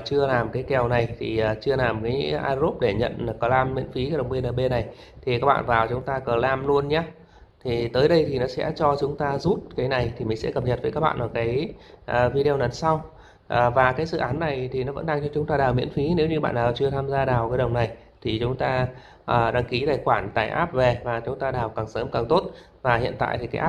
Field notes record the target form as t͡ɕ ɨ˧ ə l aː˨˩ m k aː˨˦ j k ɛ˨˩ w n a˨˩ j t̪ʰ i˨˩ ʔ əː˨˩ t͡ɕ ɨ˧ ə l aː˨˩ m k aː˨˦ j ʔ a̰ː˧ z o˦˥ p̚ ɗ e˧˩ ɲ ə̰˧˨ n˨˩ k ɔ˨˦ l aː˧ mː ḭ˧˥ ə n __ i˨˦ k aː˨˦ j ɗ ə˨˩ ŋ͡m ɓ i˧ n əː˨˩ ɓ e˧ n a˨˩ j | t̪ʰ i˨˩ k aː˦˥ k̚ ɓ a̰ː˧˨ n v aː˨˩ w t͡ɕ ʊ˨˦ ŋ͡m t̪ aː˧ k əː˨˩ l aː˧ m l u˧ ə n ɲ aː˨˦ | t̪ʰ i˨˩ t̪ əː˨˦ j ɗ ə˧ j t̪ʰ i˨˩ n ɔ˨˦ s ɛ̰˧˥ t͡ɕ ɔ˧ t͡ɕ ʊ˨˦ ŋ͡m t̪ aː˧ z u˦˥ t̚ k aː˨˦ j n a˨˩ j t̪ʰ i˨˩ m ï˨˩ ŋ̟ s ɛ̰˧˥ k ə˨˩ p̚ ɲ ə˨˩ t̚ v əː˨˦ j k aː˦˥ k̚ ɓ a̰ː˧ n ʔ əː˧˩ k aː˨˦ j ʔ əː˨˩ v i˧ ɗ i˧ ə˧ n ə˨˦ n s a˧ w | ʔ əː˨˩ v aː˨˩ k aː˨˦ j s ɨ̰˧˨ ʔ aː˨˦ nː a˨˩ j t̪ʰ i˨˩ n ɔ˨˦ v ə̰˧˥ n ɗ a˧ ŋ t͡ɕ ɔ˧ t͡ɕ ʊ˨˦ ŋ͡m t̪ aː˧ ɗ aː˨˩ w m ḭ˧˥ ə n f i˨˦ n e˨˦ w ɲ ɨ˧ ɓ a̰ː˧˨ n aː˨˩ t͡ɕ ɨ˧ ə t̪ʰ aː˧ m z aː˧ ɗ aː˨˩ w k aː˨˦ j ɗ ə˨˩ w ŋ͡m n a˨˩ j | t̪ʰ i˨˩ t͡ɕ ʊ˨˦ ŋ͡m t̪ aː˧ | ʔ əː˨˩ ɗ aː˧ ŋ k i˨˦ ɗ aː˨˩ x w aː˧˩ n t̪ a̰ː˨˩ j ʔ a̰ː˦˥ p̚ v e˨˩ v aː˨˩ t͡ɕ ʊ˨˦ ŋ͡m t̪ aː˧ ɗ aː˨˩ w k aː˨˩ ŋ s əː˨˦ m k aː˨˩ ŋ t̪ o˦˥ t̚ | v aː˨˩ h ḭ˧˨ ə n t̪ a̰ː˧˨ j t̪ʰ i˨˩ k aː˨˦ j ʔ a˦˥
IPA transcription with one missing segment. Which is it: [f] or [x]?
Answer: f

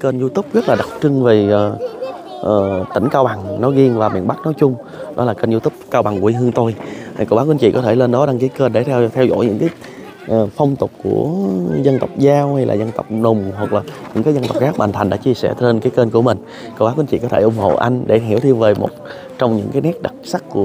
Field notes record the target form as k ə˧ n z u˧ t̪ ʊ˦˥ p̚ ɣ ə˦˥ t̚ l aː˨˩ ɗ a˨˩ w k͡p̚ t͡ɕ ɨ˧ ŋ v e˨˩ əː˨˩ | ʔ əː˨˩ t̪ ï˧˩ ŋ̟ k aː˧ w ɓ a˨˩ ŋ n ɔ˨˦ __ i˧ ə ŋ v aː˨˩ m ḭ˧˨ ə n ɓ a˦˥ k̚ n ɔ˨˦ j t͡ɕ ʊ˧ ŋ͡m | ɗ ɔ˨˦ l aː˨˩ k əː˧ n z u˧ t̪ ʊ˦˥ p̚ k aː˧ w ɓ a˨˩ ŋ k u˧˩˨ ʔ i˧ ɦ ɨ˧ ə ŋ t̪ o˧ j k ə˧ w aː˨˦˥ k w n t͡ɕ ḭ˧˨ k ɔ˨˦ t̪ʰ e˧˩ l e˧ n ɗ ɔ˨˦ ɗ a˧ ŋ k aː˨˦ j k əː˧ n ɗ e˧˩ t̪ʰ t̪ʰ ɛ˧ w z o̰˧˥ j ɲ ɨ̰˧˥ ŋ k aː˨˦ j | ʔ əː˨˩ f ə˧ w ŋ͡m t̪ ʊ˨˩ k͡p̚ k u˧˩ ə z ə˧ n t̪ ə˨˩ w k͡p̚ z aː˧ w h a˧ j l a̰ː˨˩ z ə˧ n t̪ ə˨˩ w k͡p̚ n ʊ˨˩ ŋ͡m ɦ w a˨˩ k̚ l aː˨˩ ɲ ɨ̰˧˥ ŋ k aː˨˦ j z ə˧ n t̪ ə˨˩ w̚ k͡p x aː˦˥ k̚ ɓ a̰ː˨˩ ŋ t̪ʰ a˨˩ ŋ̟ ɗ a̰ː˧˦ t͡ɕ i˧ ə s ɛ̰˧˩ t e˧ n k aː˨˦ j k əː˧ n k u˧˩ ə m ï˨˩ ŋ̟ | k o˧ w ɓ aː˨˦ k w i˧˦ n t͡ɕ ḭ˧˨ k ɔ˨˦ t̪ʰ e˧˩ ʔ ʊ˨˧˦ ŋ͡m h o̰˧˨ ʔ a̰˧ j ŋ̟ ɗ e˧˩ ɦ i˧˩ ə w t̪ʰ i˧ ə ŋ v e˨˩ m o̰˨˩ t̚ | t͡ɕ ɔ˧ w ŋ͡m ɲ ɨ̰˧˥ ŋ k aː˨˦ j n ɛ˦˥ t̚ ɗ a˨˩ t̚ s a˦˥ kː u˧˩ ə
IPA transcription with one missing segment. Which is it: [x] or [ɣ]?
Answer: ɣ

